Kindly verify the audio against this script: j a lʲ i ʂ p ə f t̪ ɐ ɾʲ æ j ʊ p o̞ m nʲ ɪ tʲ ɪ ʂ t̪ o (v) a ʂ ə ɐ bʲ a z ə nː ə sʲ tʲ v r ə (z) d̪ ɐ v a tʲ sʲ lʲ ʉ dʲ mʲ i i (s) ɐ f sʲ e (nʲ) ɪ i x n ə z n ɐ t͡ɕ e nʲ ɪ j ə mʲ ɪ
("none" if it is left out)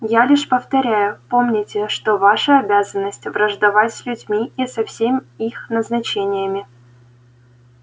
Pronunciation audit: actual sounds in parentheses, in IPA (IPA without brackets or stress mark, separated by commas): v, ʐ, s, mʲ